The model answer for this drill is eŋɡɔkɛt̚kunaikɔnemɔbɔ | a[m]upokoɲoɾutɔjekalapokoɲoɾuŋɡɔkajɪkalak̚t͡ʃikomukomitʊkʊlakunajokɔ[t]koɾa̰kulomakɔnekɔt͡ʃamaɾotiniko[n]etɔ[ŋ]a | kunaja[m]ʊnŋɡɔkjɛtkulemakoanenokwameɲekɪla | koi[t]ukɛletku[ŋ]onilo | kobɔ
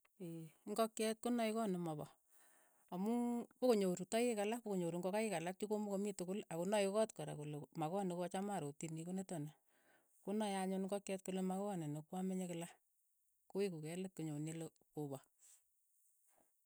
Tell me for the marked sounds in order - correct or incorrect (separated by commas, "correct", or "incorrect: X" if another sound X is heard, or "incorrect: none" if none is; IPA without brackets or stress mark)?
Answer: correct, correct, correct, incorrect: n, incorrect: ɲ, incorrect: k, incorrect: ɲ